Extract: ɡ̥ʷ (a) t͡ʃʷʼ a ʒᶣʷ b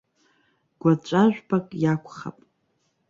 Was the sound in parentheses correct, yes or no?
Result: yes